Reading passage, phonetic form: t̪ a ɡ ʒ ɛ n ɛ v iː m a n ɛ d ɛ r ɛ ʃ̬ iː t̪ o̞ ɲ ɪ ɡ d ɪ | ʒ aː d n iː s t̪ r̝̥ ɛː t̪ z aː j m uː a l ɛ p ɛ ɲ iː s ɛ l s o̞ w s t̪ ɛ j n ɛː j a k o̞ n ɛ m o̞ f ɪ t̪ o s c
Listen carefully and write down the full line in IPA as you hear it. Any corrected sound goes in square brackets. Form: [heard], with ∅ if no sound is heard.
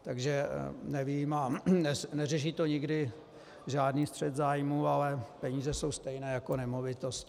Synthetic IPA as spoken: t̪ a ɡ ʒ ɛ n ɛ v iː m a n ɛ [n] ɛ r ɛ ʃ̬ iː t̪ o̞ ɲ ɪ ɡ d ɪ | ʒ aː d n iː s t̪ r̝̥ [ɛ] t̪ z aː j m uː a l ɛ p ɛ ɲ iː [z] ɛ [∅] s o̞ w s t̪ ɛ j n ɛː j a k o̞ n ɛ m o̞ [v] ɪ t̪ o s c

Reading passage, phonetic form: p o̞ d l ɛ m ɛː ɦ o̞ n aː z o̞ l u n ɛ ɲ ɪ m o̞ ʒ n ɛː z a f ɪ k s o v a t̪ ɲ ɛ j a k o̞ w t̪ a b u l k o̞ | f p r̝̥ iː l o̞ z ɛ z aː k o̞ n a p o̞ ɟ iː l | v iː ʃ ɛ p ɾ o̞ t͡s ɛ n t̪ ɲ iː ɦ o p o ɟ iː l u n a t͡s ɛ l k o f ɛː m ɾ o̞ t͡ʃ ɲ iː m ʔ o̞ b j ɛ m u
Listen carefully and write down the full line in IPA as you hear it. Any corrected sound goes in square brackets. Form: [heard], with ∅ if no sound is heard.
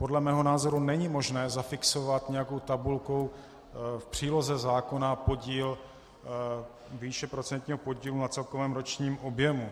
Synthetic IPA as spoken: p o̞ d l ɛ m ɛː ɦ o̞ n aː z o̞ [ɾ] u n ɛ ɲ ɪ m o̞ ʒ n ɛː z a f ɪ k s o v a t̪ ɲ ɛ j a k o̞ w t̪ a b u l k o̞ | f p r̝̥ iː l o̞ z ɛ z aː k o̞ n a p o̞ ɟ iː l | v iː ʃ ɛ p ɾ o̞ t͡s ɛ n t̪ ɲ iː ɦ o p o ɟ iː l u n a t͡s ɛ l k o [v] ɛː m ɾ o̞ t͡ʃ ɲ iː m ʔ o̞ b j ɛ m u

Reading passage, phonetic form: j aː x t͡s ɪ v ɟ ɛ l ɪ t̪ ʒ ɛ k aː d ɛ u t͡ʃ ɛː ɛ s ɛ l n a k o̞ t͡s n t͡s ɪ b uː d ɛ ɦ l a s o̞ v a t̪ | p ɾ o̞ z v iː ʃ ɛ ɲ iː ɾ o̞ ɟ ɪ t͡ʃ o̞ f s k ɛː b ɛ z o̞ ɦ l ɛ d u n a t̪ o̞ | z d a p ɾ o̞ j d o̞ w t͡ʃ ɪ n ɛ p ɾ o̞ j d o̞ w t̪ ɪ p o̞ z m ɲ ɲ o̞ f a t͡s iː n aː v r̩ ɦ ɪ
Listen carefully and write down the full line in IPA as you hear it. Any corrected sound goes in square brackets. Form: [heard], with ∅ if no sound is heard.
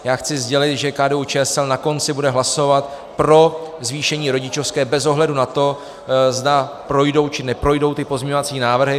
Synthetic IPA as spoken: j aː x t͡s ɪ [z] ɟ ɛ l ɪ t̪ ʒ ɛ k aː d ɛ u t͡ʃ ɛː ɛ s ɛ l n a k o̞ [∅] n t͡s ɪ b [u] d ɛ ɦ l a s o̞ v a t̪ | p ɾ o̞ z v iː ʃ ɛ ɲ iː ɾ o̞ ɟ ɪ t͡ʃ o̞ f s k ɛː b ɛ z o̞ ɦ l ɛ d u n a t̪ o̞ | z d a p ɾ o̞ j d o̞ w t͡ʃ ɪ n ɛ p ɾ o̞ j d o̞ w t̪ ɪ p o̞ z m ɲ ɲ o̞ [v] a t͡s iː n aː v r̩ ɦ ɪ

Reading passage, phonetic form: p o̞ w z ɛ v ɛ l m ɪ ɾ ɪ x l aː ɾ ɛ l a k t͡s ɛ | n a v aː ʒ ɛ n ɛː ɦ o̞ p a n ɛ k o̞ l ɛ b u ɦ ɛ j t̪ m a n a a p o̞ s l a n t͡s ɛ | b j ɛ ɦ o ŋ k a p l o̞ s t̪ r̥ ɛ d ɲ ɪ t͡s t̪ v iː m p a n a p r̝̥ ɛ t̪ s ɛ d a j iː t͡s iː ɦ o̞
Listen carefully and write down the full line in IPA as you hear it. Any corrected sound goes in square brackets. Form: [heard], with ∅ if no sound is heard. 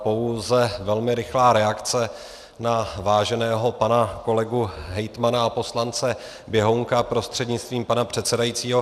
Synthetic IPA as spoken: p o̞ w z ɛ v ɛ l m ɪ ɾ ɪ x l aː ɾ ɛ [∅] a k t͡s ɛ | n a v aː ʒ ɛ n ɛː ɦ o̞ p a n [a] k o̞ l ɛ [ɡ] u ɦ ɛ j t̪ m a n a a p o̞ s l a n t͡s ɛ | b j ɛ ɦ o ŋ k a p [ɾ] o̞ s t̪ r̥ ɛ d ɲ ɪ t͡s t̪ v iː m p a n a p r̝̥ ɛ t̪ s ɛ d a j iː t͡s iː ɦ o̞

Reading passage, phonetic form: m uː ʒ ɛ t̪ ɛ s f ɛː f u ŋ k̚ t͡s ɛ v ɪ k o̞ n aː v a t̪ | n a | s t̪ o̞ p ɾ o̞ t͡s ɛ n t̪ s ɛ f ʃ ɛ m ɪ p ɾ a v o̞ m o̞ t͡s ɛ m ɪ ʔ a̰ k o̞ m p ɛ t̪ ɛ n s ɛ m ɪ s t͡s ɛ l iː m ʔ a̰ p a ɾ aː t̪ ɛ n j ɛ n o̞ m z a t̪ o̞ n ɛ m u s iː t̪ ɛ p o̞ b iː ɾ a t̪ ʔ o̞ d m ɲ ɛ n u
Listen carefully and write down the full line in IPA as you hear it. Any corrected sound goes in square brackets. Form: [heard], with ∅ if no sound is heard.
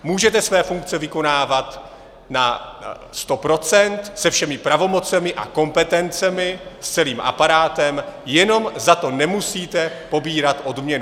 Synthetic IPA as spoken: m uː ʒ ɛ t̪ ɛ s [v] ɛː f u ŋ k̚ t͡s ɛ v ɪ k o̞ n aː v a t̪ | n a | s t̪ o̞ p ɾ o̞ t͡s ɛ n t̪ s ɛ f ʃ ɛ m ɪ p ɾ a v o̞ m o̞ t͡s ɛ m ɪ ʔ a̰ k o̞ m p ɛ t̪ ɛ n [t͡s] ɛ m ɪ s t͡s ɛ l iː m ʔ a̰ p a ɾ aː t̪ ɛ [m] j ɛ n o̞ m z a t̪ o̞ n ɛ m u s iː t̪ ɛ p o̞ b iː ɾ a t̪ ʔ o̞ d m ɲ ɛ n u

